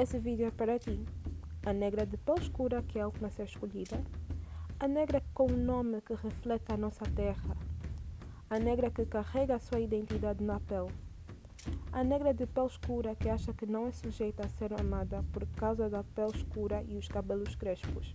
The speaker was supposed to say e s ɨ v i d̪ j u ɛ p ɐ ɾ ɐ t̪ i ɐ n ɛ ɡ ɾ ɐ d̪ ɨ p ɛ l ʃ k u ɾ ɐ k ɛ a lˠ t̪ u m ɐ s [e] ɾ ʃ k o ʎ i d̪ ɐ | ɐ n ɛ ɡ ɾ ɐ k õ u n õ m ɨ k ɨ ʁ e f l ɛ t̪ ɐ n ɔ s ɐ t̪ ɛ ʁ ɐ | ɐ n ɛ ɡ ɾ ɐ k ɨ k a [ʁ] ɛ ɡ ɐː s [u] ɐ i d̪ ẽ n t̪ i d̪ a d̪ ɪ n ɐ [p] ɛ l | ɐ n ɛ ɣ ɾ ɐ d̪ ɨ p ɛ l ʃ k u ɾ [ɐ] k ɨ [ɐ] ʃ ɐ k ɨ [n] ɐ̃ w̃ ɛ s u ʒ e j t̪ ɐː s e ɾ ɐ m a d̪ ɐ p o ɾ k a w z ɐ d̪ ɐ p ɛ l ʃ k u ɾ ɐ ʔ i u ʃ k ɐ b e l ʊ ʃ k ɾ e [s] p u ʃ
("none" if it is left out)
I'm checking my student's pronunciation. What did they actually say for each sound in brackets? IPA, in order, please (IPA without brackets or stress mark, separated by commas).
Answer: e, ʁ, u, p, ɐ, a, n, ʃ